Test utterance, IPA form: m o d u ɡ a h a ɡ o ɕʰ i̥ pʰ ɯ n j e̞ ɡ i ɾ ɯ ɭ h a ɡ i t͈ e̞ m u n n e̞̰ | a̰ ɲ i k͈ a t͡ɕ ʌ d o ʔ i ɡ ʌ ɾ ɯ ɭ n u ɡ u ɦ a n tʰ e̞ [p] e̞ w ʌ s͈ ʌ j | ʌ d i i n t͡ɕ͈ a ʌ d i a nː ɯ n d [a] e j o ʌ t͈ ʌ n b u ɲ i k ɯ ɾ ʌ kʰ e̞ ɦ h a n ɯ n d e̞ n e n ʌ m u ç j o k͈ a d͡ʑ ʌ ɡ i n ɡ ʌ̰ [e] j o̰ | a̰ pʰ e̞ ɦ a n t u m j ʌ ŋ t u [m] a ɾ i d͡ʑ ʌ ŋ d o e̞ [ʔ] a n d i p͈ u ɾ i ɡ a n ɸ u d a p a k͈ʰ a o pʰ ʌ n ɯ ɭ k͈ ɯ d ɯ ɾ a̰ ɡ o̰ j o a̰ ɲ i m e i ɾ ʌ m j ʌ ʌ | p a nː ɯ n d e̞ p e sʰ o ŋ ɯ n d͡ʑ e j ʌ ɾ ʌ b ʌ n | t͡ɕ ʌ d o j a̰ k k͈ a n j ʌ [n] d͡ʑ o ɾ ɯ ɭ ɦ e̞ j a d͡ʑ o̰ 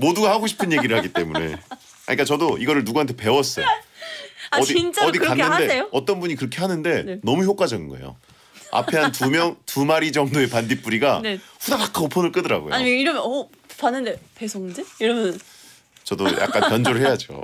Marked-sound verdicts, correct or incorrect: correct, incorrect: e, correct, correct, incorrect: p, correct

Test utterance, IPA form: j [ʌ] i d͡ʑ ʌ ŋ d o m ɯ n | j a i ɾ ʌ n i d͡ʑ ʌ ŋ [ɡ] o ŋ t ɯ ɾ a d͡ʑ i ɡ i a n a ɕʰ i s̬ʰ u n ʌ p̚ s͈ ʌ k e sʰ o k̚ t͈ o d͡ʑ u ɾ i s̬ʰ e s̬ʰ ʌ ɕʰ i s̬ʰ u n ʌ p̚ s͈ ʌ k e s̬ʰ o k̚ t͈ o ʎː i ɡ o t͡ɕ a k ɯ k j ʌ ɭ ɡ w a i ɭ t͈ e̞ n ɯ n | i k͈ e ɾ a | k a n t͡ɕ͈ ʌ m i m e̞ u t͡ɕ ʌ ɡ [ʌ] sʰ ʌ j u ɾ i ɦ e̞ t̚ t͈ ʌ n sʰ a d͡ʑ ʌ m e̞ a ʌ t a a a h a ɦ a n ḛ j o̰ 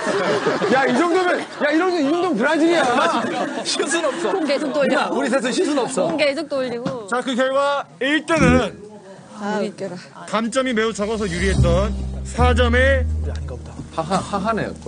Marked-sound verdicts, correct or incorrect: incorrect: a, incorrect: d, correct

